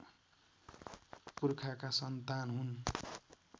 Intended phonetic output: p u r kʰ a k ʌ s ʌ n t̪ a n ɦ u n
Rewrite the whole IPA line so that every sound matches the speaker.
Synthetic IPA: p u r kʰ a k a s ʌ n t̪ a n ɦ u n